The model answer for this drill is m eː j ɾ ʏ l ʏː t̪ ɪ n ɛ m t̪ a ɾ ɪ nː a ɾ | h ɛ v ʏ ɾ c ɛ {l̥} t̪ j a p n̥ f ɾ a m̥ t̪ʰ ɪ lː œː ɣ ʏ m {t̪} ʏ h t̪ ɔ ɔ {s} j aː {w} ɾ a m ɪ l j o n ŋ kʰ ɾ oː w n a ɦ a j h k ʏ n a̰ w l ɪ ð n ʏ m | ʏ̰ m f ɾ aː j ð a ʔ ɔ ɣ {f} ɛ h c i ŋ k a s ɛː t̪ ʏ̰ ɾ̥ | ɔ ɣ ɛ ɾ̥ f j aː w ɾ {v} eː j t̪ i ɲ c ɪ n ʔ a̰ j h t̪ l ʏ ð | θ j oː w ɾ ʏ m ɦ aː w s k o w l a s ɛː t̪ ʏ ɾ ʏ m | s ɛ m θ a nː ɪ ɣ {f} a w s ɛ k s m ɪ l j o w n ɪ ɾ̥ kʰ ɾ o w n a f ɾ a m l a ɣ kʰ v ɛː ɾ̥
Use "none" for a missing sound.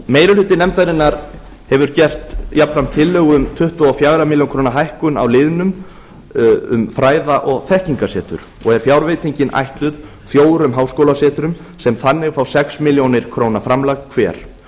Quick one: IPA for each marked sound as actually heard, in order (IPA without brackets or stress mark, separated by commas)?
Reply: r̥, t̪ʰ, f, ɣ, θ, v, f